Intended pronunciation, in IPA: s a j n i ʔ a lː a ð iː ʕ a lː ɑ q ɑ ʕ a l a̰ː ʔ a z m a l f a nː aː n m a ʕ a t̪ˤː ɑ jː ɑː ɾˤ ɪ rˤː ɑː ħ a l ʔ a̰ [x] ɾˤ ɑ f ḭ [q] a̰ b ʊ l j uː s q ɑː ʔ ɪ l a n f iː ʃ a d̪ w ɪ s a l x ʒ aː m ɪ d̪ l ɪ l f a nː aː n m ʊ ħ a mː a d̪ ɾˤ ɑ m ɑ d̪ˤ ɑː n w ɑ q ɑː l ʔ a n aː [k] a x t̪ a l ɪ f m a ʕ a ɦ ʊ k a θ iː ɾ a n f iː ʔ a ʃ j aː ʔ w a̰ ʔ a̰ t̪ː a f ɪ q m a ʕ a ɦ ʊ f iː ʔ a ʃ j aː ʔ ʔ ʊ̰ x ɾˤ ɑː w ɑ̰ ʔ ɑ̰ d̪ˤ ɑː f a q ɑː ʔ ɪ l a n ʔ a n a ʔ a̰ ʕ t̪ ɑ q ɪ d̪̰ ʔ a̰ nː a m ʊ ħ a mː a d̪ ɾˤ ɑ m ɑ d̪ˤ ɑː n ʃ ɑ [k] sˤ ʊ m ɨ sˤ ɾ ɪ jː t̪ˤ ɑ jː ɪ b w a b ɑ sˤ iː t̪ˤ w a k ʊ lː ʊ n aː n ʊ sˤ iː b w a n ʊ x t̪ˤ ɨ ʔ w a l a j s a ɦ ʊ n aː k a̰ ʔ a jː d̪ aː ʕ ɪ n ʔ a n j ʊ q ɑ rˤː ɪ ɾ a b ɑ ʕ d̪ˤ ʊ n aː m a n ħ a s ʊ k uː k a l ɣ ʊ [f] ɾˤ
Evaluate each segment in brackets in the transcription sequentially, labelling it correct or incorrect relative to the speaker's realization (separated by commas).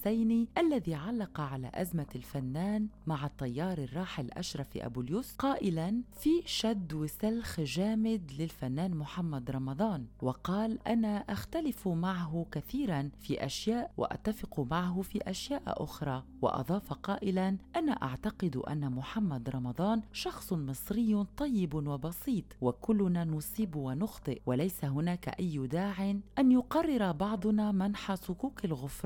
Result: incorrect, incorrect, incorrect, incorrect, correct